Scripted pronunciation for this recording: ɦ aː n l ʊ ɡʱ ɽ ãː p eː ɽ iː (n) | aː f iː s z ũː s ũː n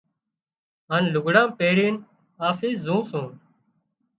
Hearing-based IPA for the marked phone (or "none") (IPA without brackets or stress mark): n